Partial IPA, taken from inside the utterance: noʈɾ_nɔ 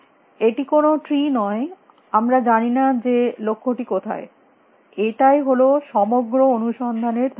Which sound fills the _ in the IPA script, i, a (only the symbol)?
i